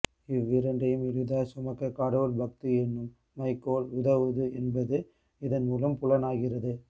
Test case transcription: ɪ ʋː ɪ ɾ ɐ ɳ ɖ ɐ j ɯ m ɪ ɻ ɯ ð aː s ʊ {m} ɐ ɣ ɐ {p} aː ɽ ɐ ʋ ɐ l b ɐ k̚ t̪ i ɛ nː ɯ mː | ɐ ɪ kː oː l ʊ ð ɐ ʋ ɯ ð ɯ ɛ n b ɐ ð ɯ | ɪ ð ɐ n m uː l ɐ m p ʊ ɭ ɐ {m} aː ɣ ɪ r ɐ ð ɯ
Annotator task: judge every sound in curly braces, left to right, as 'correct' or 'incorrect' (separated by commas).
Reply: correct, incorrect, incorrect